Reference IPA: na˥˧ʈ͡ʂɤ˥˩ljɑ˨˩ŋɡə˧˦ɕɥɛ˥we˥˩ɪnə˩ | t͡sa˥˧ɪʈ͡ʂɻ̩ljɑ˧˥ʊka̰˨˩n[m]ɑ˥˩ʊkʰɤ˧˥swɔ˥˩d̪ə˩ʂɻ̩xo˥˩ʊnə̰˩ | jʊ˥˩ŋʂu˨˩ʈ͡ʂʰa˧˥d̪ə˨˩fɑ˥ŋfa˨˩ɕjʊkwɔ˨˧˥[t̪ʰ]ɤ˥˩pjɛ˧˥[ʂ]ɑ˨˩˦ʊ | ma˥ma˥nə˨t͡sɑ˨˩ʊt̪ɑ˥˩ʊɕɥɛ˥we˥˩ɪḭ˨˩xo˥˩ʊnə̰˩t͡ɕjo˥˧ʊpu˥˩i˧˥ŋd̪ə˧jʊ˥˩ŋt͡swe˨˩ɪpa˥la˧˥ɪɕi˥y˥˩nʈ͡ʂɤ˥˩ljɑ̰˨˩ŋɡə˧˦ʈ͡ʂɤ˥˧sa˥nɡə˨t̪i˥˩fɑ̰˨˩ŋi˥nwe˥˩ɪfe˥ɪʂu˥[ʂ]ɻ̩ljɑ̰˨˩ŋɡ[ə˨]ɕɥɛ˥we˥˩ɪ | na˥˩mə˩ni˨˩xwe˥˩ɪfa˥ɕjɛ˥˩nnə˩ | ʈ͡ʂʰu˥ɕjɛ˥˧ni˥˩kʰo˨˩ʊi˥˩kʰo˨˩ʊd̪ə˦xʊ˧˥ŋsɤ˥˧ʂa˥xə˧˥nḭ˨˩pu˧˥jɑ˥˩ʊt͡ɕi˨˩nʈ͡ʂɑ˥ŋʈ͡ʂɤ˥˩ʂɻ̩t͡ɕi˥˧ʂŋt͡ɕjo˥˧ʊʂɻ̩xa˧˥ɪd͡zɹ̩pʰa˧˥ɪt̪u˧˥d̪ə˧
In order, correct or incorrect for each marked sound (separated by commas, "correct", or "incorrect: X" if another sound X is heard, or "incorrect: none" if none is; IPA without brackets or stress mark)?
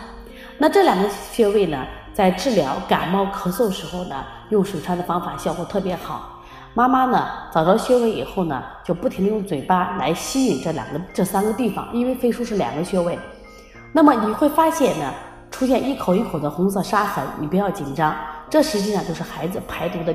correct, correct, incorrect: x, correct, incorrect: ə˦